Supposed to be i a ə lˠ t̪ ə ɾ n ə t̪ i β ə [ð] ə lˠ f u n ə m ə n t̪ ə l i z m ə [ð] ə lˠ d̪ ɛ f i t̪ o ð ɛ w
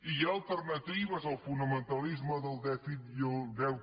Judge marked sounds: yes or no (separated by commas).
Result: no, yes